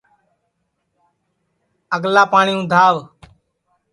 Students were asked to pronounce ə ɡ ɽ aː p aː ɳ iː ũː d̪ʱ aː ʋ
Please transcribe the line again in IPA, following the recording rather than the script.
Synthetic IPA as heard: ə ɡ l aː p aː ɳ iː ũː d̪ʱ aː ʋ